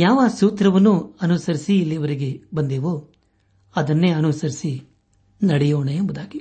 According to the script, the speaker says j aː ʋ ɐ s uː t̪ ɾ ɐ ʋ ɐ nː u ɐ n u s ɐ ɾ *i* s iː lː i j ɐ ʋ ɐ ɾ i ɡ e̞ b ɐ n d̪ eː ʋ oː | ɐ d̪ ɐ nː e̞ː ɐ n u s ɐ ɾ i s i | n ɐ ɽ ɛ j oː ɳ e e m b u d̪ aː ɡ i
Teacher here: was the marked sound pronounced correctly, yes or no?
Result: yes